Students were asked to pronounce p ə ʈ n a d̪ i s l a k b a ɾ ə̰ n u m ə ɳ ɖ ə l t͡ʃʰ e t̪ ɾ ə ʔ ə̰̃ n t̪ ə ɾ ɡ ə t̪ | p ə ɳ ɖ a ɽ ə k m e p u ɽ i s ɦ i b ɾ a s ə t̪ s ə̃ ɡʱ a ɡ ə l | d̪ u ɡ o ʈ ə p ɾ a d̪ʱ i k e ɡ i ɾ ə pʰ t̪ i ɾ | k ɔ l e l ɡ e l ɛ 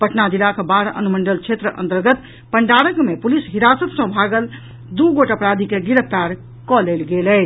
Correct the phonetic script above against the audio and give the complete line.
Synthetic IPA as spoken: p ə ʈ n a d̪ i l a k b a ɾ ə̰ n u m ə ɳ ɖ ə l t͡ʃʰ e t̪ ɾ ə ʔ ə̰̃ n t̪ ə ɾ ɡ ə t̪ | p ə ɳ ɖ a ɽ ə k m e p u l i s ɦ i ɾ a s ə t̪ s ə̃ bʱ a ɡ ə l | d̪ u ɡ o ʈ ə p ɾ a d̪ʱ i k e ɡ i ɾ ə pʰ t̪ a ɾ | k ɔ l e l ɡ e l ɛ